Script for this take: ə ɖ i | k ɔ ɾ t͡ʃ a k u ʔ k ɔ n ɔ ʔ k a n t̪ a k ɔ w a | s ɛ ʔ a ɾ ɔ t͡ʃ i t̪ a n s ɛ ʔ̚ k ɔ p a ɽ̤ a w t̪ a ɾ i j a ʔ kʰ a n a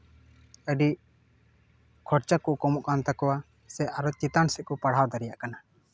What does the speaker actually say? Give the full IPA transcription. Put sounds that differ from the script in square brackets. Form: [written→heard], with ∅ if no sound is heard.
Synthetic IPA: ə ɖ i | [k→kʰ] ɔ ɾ t͡ʃ a k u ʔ k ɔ [n→m] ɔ ʔ k a n t̪ a k ɔ w a | s ɛ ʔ a ɾ ɔ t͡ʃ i t̪ a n s ɛ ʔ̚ k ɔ p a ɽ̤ a w [t̪→d̪] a ɾ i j a ʔ [kʰ→k] a n a